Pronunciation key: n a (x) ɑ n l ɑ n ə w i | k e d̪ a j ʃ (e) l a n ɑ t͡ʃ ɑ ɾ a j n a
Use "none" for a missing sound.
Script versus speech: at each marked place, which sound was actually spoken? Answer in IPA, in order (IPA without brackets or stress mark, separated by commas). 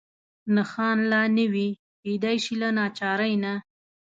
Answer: x, i